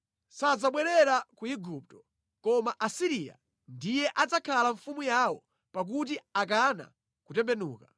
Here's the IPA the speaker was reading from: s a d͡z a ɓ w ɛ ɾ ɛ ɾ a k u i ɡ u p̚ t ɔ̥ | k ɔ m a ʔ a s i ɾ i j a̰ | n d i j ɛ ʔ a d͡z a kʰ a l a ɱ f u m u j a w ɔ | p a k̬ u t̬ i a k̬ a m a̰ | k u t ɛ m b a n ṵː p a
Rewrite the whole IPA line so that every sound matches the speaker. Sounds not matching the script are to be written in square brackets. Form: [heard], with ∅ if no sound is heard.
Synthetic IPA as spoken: s a d͡z a ɓ w ɛ ɾ ɛ ɾ a k u i ɡ u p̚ t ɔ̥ | k ɔ m a ʔ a s i ɾ i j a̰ | n d i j ɛ ʔ a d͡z a kʰ a l a ɱ f u m u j a w ɔ | p a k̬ u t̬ i a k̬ a [n] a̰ | k u t ɛ m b [ɛ] n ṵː [k] a